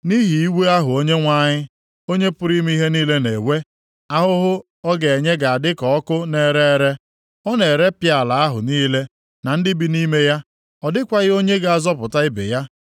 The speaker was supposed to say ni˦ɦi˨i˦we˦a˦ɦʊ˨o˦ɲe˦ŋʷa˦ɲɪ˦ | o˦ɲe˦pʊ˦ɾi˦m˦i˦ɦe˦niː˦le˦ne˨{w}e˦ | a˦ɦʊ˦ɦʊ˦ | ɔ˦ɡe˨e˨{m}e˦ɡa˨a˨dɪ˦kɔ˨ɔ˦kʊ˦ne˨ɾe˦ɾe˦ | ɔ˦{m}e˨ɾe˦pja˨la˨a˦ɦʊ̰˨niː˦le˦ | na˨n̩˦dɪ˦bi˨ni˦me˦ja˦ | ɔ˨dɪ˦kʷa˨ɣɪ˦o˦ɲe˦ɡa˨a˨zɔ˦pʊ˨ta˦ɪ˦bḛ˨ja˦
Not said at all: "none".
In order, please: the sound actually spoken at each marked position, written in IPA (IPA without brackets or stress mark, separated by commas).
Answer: w, ɲ, n